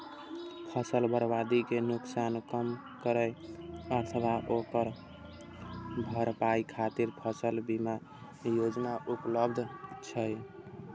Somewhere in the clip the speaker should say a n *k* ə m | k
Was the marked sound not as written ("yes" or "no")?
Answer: no